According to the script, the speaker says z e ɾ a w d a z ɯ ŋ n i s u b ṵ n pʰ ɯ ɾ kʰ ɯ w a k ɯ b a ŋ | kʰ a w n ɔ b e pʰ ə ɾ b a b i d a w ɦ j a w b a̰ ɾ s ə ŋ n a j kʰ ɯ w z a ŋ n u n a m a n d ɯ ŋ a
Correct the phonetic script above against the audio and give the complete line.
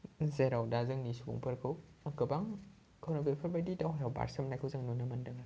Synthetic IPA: z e ɾ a w d a z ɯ ŋ n i s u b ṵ ŋ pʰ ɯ ɾ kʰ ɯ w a k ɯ b a ŋ | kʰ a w n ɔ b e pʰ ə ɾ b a d i d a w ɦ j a w b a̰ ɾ s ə m n a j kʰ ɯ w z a ŋ n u n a m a n d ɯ ŋ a